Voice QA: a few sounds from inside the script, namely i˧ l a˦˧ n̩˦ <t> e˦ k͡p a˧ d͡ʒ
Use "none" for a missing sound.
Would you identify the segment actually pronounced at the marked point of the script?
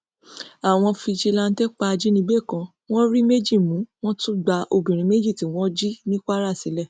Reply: t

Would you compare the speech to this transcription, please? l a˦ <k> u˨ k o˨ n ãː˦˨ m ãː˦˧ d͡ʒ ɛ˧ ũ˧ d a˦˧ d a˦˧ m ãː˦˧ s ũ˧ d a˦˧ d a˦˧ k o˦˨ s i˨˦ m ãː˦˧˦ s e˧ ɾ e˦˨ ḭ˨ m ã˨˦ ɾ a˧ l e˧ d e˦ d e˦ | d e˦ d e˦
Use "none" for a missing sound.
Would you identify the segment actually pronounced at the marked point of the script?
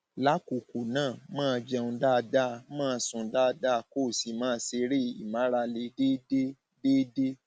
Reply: k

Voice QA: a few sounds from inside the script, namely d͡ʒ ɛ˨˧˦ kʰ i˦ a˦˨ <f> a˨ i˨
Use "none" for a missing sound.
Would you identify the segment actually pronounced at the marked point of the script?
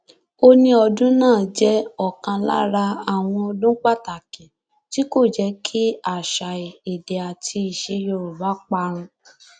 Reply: ʃ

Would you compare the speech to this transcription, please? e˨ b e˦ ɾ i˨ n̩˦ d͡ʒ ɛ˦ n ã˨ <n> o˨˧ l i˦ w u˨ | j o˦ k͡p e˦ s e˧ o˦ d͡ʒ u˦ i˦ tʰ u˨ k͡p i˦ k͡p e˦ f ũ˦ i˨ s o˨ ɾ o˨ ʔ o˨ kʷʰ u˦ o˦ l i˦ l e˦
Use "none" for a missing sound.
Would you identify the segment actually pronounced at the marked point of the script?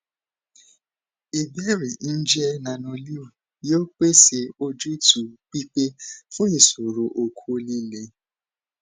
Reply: n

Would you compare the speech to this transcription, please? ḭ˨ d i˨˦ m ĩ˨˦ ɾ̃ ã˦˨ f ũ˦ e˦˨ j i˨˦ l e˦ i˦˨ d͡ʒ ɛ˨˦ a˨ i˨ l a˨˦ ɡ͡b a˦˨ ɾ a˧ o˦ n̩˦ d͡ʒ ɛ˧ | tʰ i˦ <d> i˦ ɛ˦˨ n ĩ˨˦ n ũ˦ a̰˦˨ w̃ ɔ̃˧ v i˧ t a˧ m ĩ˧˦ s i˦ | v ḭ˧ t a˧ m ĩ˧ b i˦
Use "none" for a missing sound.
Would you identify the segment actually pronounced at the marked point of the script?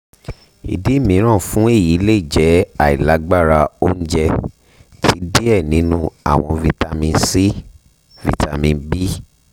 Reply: d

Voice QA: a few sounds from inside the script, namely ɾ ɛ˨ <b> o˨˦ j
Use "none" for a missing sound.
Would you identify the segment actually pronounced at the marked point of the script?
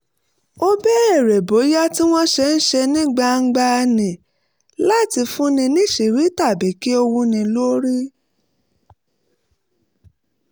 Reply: b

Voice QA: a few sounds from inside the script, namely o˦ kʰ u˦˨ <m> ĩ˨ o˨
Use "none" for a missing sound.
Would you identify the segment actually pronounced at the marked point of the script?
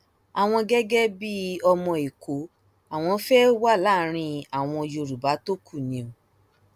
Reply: n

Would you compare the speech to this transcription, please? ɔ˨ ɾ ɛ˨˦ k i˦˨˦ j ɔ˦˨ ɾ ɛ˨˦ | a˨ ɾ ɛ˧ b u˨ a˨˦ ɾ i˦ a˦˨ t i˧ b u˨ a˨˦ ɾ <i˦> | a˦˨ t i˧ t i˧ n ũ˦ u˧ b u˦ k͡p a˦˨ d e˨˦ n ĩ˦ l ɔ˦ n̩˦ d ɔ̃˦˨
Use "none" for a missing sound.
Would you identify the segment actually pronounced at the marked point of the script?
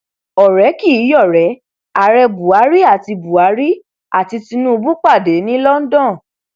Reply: i˦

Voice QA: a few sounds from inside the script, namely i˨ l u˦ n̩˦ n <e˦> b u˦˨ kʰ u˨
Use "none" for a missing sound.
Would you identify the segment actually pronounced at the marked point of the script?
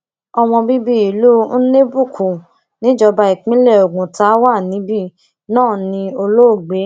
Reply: e˦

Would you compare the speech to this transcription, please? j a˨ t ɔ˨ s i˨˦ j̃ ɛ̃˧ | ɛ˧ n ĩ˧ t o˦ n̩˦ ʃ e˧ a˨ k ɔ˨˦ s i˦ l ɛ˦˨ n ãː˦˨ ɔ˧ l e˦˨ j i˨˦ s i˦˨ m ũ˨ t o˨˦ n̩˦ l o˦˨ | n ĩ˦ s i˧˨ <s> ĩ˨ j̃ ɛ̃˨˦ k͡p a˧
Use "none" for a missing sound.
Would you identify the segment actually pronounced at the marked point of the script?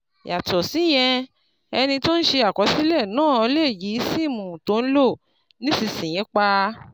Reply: s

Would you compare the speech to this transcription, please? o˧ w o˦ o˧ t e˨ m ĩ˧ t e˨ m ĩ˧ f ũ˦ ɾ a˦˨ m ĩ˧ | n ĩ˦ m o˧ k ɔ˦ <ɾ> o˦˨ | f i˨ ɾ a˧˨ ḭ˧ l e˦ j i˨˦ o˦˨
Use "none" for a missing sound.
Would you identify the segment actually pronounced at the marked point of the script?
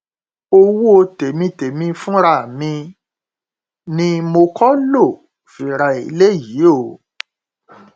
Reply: l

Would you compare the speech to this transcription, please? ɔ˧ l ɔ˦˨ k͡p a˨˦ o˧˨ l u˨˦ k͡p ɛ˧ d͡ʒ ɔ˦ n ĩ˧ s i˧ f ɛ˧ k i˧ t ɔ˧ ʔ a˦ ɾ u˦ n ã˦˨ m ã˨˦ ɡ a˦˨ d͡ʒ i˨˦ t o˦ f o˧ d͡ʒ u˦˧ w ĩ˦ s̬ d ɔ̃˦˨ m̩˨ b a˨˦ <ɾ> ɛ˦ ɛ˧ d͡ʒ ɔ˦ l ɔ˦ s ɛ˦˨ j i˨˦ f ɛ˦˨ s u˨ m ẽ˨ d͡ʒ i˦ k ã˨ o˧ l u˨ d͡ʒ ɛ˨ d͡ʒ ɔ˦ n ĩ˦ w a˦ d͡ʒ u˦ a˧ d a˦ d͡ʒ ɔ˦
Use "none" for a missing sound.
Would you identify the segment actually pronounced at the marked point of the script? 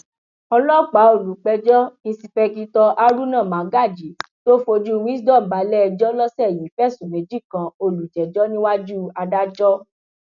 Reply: l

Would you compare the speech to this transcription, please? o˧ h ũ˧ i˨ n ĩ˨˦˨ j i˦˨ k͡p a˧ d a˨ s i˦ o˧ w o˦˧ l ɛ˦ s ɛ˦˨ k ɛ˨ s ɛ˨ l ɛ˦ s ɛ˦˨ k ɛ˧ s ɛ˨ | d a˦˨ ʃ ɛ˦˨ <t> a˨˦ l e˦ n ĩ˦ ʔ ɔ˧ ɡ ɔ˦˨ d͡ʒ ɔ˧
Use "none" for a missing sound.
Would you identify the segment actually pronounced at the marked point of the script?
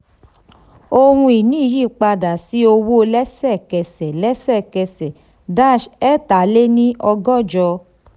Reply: t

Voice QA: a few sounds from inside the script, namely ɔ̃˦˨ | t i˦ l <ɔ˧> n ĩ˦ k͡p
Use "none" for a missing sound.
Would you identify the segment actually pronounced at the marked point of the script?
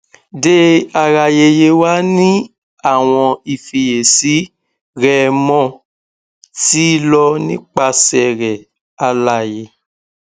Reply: ɔ˧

